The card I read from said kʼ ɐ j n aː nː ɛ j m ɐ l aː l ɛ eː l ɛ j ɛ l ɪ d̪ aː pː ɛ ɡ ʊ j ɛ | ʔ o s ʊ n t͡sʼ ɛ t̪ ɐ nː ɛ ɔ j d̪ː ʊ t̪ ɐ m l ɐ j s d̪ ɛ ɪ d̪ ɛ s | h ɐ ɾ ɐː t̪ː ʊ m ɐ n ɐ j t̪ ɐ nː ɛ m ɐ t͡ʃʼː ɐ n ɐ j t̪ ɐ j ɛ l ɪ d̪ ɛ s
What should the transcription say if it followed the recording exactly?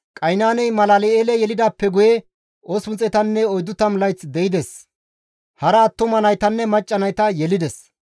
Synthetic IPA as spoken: kʼ ɐ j n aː n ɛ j m ɐ l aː l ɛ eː l ɛ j ɛ l ɪ d̪ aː pː ɛ ɡ ʊ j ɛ | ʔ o s ʊ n t͡sʼ ɛ t̪ ɐ nː ɛ ɔ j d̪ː ʊ t̪ ɐ m l ɐ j t͡s d̪ ɛ ɪ d̪ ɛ s | h ɐ ɾ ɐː t̪ː ʊ m ɐ n ɐ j t̪ ɐ nː ɛ m ɐ t͡ʃʼː ɐ n ɐ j t̪ ɐ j ɛ l ɪ d̪ ɛ s